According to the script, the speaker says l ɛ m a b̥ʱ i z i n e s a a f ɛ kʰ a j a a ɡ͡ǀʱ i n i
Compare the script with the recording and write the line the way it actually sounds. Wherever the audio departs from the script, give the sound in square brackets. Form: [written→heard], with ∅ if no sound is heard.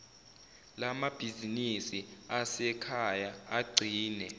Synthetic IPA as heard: l [ɛ→a] m a b̥ʱ i z i n [e→i] s [a→i] a [f→s] ɛ kʰ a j a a ɡ͡ǀʱ [i→iː] n [i→ɛ]